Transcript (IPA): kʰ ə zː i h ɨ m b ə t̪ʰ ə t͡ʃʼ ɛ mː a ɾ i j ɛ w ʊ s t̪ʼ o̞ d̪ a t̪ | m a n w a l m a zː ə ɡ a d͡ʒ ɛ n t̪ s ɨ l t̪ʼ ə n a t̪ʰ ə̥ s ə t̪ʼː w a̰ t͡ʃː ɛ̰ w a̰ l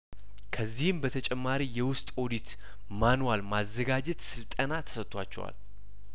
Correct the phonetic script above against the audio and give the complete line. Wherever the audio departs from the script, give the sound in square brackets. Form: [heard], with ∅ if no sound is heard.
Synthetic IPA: kʰ ə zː i h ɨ m b ə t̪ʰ ə t͡ʃʼ ɛ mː a ɾ i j ɛ w ʊ s t̪ʼ o̞ d̪ [i] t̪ | m a n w a l m a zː ə ɡ a d͡ʒ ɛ [∅] t̪ s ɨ l t̪ʼ ə n a t̪ʰ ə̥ s ə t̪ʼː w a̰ t͡ʃː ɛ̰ w a̰ l